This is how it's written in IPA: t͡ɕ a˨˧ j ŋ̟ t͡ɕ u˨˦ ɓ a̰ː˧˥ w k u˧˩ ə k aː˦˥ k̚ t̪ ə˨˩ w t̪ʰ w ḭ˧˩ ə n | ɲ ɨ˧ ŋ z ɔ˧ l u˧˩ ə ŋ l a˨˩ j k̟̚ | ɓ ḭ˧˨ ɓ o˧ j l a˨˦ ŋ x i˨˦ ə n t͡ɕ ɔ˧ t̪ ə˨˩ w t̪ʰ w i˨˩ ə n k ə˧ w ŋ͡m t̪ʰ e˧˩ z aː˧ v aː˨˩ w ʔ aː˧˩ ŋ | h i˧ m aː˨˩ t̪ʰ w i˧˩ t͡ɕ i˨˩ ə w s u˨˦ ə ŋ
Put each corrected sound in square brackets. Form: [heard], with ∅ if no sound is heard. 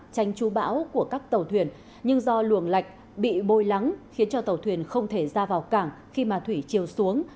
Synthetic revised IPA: t͡ɕ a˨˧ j ŋ̟ t͡ɕ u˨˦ ɓ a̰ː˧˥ w k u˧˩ ə k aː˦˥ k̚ t̪ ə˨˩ w t̪ʰ w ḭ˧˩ ə n | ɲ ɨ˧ ŋ z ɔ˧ l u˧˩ ə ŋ l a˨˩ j k̟̚ | ɓ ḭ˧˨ ɓ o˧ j l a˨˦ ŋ x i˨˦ ə n t͡ɕ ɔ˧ t̪ ə˨˩ w t̪ʰ w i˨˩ ə n [x] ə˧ w ŋ͡m t̪ʰ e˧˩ z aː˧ v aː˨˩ w [k] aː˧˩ ŋ | [x] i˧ m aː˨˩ t̪ʰ w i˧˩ t͡ɕ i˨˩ ə w s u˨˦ ə ŋ